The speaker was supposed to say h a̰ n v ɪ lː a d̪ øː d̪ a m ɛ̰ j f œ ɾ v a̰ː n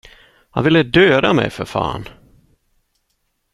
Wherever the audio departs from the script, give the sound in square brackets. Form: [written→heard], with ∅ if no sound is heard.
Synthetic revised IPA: h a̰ n v ɪ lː [a→ə] d̪ øː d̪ a m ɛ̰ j f œ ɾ [v→f] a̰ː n